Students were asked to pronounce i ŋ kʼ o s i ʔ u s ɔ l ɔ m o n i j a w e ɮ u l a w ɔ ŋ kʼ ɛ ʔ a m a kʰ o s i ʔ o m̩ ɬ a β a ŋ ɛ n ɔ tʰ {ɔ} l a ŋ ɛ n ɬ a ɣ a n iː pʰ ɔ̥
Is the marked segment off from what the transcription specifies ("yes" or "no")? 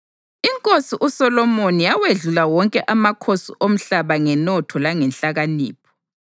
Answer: no